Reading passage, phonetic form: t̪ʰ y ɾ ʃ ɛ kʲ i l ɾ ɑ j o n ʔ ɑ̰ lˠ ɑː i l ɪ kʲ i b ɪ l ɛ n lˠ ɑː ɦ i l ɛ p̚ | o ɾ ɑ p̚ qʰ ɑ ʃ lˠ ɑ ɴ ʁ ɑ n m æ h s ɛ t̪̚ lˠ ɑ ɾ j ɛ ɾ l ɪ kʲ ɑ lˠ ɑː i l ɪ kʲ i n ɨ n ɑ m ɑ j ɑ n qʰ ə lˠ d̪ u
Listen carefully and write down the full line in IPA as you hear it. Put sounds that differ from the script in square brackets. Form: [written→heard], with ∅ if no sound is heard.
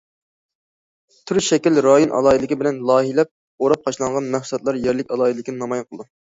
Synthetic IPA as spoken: t̪ʰ y ɾ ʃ ɛ kʲ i l ɾ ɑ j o n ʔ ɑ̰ lˠ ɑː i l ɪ kʲ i b ɪ l ɛ n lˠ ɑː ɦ i l ɛ p̚ | o ɾ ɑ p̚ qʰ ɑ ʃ lˠ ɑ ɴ ʁ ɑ n m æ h s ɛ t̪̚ lˠ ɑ ɾ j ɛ ɾ l ɪ kʲ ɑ lˠ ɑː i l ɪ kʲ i n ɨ n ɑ m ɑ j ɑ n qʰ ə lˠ d̪ u

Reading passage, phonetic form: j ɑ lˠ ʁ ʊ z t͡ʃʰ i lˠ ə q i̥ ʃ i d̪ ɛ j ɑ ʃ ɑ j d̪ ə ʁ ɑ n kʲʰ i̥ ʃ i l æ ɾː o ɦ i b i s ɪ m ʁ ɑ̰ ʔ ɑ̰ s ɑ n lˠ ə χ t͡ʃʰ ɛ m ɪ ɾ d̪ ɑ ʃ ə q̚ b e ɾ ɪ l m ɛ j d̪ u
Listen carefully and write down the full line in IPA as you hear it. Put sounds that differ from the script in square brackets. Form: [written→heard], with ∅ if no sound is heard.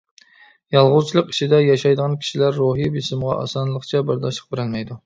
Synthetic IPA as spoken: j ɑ lˠ ʁ ʊ z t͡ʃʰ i lˠ ə q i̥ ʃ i d̪ ɛ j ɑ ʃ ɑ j d̪ ə ʁ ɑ n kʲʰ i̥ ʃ i l æ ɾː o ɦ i b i s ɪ m ʁ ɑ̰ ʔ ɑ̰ s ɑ n lˠ ə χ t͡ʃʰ ɛ [m→b] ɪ ɾ d̪ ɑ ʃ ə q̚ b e ɾ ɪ l m ɛ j d̪ u

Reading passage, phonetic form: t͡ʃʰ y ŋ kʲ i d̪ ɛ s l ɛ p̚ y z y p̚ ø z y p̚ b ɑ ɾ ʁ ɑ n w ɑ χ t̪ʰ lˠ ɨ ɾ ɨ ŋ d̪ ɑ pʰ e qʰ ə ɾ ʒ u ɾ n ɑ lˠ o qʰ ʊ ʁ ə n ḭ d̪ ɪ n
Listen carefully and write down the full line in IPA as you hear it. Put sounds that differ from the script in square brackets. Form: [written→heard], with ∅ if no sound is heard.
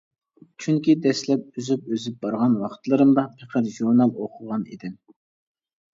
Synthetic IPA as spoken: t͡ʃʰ y ŋ kʲ i d̪ ɛ s l ɛ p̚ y z y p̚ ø z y p̚ b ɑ ɾ ʁ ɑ n w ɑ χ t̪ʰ lˠ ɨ ɾ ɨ [ŋ→m] d̪ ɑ pʰ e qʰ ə ɾ ʒ u ɾ n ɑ lˠ o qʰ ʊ ʁ [ə→ɑ] n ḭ d̪ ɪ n

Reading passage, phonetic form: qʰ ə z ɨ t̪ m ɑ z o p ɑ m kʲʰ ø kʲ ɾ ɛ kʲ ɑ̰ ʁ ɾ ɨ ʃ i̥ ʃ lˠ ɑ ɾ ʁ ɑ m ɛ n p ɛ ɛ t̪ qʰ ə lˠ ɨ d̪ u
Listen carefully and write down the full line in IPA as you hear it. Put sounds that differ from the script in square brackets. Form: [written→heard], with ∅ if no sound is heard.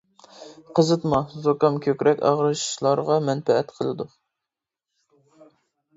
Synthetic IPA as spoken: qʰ ə z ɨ t̪ m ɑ z o [p→k] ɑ m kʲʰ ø kʲ ɾ ɛ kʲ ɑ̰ ʁ ɾ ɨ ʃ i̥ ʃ lˠ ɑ ɾ ʁ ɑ m ɛ n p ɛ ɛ t̪ qʰ ə lˠ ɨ d̪ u

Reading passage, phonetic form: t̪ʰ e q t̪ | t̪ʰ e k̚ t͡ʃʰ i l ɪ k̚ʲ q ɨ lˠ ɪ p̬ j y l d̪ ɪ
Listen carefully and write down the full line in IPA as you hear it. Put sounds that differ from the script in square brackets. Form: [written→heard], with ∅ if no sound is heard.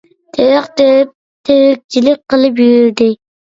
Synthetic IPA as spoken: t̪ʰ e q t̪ | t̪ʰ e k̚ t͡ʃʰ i l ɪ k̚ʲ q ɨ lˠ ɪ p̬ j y [l→ɾ] d̪ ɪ

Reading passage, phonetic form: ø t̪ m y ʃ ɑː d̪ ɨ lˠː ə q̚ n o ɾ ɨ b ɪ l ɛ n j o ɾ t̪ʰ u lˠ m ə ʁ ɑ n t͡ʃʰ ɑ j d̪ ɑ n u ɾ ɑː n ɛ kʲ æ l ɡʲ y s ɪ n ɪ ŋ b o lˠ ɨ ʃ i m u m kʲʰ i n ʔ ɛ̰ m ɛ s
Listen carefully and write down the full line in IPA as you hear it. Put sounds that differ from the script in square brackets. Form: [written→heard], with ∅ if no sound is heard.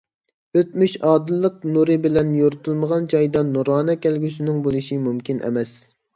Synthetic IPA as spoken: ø t̪ m y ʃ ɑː d̪ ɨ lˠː ə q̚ n [o→u] ɾ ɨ b ɪ l ɛ n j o ɾ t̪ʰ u lˠ m ə ʁ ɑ n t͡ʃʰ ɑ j d̪ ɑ n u ɾ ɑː n ɛ kʲ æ l ɡʲ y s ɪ n ɪ ŋ b o lˠ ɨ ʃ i m u m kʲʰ i n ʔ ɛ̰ m ɛ s

